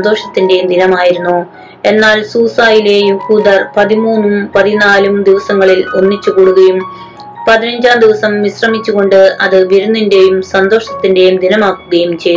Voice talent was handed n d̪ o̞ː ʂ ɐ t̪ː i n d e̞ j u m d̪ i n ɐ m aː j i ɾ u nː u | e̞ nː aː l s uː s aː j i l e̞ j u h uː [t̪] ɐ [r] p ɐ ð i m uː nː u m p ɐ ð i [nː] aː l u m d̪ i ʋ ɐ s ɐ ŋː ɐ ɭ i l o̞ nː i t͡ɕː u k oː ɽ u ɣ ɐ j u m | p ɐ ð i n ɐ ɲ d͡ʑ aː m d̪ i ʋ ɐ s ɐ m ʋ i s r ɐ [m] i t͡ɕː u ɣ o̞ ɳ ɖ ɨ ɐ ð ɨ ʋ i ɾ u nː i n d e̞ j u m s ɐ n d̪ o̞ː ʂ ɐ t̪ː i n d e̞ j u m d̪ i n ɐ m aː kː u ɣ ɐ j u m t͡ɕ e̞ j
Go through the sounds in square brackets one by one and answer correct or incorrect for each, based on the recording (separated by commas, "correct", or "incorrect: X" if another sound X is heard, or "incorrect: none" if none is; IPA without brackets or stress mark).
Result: incorrect: d̪, correct, incorrect: n, correct